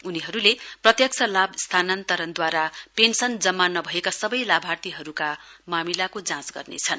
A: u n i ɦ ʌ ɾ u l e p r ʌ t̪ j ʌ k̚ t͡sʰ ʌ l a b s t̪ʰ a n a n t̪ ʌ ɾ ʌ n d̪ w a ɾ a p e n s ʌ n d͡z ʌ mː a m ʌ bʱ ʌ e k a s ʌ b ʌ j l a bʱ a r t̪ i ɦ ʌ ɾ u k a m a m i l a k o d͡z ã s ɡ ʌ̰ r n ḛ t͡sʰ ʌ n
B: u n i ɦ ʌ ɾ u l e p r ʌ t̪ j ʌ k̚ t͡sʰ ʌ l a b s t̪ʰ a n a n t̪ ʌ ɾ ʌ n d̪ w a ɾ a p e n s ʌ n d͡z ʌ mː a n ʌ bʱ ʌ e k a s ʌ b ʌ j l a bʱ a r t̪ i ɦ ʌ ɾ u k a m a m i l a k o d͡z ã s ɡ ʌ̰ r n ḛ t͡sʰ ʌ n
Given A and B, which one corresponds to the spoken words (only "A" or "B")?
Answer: B